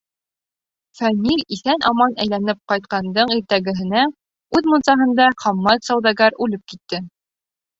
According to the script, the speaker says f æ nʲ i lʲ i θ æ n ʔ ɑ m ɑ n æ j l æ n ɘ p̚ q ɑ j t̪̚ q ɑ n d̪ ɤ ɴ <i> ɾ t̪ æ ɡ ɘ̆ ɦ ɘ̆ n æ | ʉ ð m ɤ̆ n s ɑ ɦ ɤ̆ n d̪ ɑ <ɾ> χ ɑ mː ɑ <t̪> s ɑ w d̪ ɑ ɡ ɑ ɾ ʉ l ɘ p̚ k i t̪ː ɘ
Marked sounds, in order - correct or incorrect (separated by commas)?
correct, incorrect, correct